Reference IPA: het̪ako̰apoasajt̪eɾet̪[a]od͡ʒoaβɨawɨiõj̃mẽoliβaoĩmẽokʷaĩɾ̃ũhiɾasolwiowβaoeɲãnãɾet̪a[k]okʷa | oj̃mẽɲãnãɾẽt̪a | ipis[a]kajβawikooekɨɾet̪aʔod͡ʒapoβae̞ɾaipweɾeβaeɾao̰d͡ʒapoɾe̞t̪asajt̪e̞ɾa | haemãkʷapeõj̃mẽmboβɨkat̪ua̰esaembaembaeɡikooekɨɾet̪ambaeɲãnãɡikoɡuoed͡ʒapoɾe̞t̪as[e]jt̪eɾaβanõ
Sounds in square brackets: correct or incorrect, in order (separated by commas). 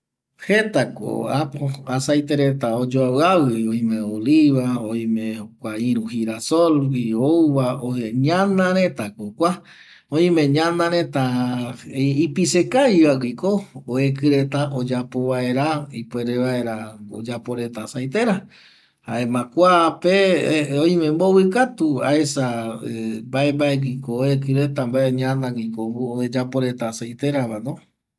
correct, correct, incorrect, incorrect